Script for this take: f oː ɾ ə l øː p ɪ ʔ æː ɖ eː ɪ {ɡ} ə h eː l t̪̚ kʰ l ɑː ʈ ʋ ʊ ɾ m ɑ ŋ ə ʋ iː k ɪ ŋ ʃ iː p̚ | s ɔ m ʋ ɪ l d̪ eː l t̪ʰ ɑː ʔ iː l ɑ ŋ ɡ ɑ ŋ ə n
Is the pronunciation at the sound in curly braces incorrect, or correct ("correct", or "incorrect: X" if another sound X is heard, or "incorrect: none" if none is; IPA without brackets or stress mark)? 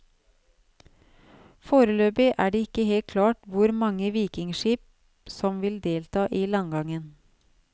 incorrect: k